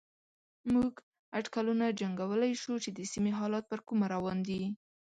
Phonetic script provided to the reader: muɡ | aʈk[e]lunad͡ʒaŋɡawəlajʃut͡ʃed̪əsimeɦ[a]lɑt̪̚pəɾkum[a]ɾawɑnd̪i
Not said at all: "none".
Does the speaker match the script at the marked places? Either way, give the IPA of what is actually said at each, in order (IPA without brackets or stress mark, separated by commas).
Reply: a, ɑ, a